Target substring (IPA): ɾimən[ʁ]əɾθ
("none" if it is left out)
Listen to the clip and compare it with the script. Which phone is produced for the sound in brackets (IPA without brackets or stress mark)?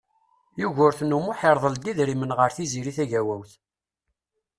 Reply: ʁ